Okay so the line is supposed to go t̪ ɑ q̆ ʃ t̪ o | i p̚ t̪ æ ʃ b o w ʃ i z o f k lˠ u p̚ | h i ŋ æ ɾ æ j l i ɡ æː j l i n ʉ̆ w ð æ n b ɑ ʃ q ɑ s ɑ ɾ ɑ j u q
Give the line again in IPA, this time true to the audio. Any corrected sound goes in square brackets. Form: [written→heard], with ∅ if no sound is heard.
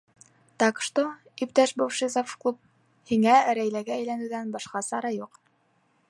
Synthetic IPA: t̪ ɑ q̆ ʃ t̪ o | i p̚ t̪ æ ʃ b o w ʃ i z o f k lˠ u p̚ | h i ŋ æ ɾ æ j l [i→æ] ɡ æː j l [i→æ] n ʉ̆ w ð æ n b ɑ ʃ q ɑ s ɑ ɾ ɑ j u q